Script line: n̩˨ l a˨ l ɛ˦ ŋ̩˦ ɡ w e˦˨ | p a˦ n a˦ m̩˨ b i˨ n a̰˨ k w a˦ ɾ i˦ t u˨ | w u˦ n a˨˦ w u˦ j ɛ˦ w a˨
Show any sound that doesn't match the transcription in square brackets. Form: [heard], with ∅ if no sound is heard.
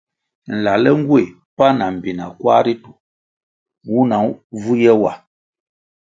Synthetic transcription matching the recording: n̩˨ l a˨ l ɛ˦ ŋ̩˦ ɡ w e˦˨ | p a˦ n [a˨] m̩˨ b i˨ n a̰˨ k w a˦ ɾ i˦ t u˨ | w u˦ n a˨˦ [v] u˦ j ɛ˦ w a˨